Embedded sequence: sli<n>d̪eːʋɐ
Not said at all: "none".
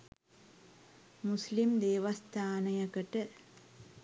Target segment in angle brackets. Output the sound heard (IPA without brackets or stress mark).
m